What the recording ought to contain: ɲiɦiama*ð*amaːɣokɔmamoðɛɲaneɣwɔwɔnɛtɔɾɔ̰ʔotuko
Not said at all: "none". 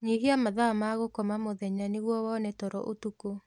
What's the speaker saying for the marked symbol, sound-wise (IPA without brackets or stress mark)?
ð